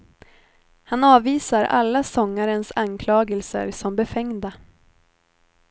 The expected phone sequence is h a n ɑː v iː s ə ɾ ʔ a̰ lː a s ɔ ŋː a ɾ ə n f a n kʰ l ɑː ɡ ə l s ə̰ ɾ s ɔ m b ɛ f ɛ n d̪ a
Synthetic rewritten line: h a n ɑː v iː s a ɾ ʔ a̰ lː a s ɔ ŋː a ɾ ə n s a n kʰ l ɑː ɡ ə l s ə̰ ɾ s ɔ m b ɛ f ɛ ŋ d̪ a

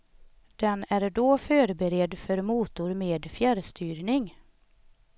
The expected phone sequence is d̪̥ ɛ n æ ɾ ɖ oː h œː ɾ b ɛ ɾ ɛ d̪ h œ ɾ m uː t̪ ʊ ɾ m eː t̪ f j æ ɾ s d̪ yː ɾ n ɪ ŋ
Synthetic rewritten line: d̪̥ ɛ n æ ɾ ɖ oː f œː ɾ b ɛ ɾ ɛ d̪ f œ ɾ m uː t̪ ʊ ɾ m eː d̪ f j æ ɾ s t̪ yː ɾ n ɪ ŋ

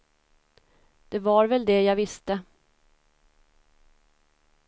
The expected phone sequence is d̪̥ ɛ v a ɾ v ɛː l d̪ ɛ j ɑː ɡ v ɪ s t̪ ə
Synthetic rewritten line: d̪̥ ɛ v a ɾ v ɛ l d̪ ɛ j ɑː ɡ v ɪ s t̪ ə

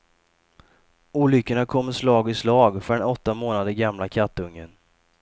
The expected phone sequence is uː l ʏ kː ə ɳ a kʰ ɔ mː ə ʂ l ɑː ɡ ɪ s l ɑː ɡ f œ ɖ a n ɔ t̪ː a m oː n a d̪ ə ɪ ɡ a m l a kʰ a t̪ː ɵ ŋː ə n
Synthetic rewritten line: uː l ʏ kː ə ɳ a kʰ ɔ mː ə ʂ l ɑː ɡ ɪ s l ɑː ɡ f œ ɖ ɛ n ɔ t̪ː a m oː n a d̪ ə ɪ ɡ a m l a kʰ a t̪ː ɵ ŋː ə n

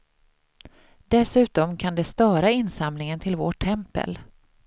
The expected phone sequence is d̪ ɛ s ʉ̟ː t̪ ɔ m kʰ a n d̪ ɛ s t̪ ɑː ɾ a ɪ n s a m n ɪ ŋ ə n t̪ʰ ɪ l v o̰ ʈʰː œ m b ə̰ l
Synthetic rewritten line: d̪ ɛ s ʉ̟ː t̪ ɔ m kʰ a n d̪ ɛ s t̪ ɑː ɾ a ɪ n s a m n ɪ ŋ ə n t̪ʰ ɪ l v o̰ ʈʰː ɛ m p ə̰ l

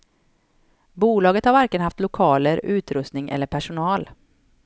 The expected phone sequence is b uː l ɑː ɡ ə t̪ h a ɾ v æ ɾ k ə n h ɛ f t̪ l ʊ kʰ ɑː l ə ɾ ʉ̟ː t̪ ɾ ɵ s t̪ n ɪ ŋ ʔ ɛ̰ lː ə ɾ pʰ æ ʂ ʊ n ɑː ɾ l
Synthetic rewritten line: b uː l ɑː ɡ ə t̪ h a ɾ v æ ɾ k ə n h a f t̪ l ʊ kʰ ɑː l ə ɾ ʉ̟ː t̪ ɾ ɵ s t̪ n ɪ ŋ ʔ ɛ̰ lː ə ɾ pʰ æ ʂ ʊ n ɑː l

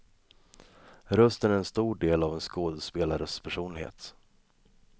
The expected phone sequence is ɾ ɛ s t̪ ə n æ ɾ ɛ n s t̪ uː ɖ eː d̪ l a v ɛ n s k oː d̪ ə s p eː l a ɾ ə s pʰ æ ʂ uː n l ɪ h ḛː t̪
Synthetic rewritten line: ɾ œ s t̪ ə n æ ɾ ɛ n s t̪ uː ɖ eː l a v ɛ n s k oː d̪ ə s p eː l a ɾ ə s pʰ æ ʂ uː n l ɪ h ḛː t̪

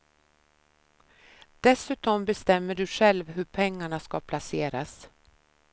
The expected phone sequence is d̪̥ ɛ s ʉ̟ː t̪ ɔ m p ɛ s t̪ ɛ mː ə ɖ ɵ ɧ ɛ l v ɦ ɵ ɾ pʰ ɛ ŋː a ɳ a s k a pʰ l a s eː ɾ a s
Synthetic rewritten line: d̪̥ ɛ s ʉ̟ː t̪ ɔ m b ɛ s t̪ ɛ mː ə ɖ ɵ ɧ ɛ l v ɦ ɵ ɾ pʰ ɛ ŋː a ɳ a s k a pʰ l a s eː ɾ a s

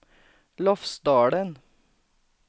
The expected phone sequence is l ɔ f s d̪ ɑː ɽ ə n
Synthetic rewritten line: l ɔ f s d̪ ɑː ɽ ə n

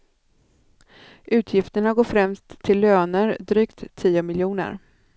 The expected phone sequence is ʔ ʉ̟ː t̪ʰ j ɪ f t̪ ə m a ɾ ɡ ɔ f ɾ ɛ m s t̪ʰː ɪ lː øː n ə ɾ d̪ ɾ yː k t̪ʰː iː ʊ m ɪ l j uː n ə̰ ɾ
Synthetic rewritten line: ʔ ʉ̟ː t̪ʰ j ɪ f t̪ ə ɳ a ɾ ɡ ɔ f ɾ ɛ m s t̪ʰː ɪ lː øː n ə ɾ d̪ ɾ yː k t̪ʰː iː ʊ m ɪ l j uː n ə̰ ɾ

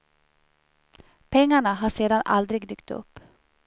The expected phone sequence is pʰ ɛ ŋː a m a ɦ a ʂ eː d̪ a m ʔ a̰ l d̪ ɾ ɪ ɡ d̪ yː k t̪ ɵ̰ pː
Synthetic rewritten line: pʰ ɛ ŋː a ɳ a ɦ a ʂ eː d̪ a n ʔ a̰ l d̪ ɾ ɪ ɡ d̪ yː k t̪ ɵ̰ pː

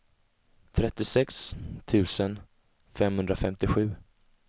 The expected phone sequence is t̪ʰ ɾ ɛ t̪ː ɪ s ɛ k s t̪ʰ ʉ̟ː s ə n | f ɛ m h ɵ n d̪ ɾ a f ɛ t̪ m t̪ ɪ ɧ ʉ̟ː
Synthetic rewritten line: t̪ʰ ɾ ɛ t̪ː ɪ s ɛ k s t̪ʰ ʉ̟ː s ə n | f ɛ m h ɵ n d̪ ɾ a f ɛ m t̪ ɪ ɧ ʉ̟ː

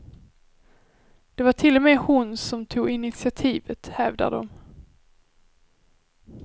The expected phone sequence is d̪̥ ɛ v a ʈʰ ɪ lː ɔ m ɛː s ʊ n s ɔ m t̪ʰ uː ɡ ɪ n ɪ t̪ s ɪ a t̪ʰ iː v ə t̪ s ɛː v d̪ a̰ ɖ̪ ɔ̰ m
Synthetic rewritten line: d̪̥ ɛ v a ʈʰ ɪ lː ɔ m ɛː h ʊ n s ɔ m t̪ʰ uː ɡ ɪ n ɪ t̪ s ɪ a t̪ʰ iː v ə t̪ h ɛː v d̪ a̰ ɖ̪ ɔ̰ m

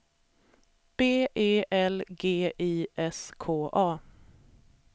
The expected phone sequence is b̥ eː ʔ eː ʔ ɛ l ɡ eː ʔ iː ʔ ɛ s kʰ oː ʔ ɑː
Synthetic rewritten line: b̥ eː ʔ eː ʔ ɛ l ɡ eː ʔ iː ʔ ɛ s kʰ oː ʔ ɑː

